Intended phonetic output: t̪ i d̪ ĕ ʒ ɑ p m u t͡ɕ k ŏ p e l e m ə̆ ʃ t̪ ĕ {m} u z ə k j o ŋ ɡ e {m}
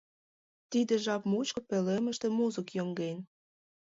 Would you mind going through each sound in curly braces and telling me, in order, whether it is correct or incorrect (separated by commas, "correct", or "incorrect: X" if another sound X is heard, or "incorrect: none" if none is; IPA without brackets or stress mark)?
correct, incorrect: n